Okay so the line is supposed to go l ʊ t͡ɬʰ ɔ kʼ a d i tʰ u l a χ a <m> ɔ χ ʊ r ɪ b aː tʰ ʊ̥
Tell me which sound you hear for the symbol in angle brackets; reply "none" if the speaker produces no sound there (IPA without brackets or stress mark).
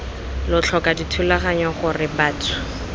ɲ